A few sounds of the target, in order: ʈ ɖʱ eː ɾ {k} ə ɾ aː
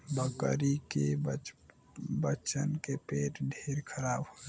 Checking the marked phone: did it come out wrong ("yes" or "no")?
yes